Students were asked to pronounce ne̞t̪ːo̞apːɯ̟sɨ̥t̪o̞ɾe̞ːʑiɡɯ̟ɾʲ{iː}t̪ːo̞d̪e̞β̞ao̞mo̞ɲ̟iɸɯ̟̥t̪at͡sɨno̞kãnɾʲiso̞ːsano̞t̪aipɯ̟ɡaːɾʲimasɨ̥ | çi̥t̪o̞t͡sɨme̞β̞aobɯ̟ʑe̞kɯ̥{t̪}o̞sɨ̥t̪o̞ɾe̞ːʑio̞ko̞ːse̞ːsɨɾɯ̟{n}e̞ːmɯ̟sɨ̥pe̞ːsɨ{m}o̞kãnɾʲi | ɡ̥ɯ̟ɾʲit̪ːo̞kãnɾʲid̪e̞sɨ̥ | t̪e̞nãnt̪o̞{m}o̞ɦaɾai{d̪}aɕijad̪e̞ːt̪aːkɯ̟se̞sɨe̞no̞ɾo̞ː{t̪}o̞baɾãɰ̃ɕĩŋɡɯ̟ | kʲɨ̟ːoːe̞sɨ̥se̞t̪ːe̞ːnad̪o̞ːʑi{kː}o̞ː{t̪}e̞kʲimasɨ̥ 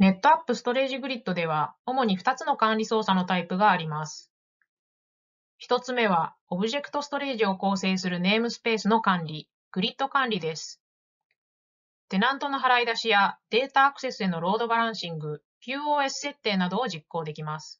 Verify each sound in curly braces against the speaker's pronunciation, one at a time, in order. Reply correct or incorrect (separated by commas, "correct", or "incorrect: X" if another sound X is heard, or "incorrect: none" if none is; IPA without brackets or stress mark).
incorrect: i, correct, correct, incorrect: n, incorrect: n, correct, incorrect: d̪, correct, incorrect: d̪